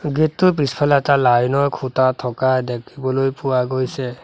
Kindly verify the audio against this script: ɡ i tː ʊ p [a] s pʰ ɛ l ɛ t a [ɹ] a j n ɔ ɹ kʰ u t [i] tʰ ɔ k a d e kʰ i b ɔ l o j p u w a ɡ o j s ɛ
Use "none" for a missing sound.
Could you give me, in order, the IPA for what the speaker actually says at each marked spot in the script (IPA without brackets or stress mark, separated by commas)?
i, l, a